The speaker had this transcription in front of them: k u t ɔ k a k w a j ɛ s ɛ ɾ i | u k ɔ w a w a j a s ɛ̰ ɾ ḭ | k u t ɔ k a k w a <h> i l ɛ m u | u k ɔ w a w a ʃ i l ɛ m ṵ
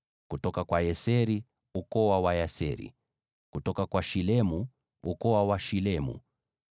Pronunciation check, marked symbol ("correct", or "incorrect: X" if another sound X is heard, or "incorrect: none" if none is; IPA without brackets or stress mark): incorrect: ʃ